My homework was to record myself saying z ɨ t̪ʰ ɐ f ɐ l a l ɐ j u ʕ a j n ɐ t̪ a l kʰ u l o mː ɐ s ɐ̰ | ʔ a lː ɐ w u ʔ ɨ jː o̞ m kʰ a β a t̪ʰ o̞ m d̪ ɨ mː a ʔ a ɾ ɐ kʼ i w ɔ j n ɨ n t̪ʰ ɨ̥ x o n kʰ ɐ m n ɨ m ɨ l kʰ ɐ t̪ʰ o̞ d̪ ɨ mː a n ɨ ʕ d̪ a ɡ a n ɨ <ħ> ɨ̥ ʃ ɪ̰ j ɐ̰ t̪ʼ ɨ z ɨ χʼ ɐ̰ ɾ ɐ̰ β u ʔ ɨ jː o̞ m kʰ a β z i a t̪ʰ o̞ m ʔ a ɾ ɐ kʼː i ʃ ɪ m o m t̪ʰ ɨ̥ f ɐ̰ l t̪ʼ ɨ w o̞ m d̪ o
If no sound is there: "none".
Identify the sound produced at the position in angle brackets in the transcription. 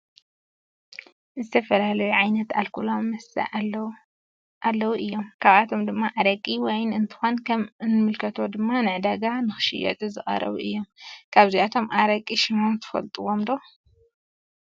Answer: x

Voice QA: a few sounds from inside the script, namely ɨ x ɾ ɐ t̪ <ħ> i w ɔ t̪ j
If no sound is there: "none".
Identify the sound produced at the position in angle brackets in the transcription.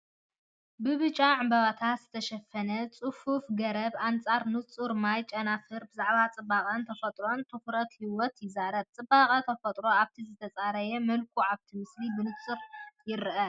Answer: h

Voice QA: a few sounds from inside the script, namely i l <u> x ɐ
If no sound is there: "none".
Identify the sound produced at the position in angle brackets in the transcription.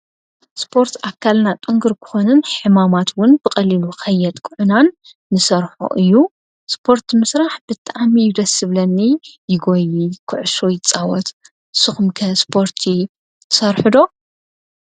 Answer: u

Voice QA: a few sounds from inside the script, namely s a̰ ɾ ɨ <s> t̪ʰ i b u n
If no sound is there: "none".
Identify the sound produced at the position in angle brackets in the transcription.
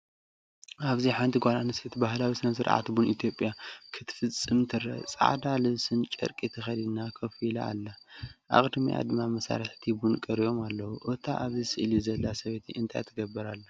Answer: ħ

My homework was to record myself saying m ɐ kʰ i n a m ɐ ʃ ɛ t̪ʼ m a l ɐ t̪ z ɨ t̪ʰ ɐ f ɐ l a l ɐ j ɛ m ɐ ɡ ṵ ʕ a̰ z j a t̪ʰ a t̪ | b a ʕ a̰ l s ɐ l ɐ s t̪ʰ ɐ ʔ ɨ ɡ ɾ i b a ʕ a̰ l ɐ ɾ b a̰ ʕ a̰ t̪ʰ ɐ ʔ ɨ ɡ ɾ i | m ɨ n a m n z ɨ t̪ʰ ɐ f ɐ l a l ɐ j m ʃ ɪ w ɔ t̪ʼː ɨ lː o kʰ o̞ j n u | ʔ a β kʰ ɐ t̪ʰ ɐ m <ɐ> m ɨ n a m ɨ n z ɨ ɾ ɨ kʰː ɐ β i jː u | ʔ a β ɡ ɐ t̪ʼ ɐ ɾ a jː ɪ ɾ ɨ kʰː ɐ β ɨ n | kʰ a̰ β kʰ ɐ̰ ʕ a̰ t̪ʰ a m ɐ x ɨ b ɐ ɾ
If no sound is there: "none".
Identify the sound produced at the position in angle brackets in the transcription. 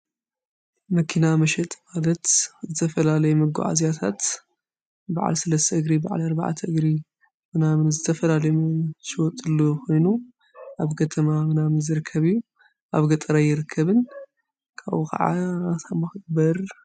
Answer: a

